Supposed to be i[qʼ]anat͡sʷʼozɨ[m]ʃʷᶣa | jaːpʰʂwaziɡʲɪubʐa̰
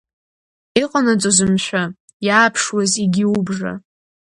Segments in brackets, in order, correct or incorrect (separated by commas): correct, correct